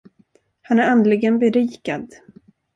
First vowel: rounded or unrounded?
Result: unrounded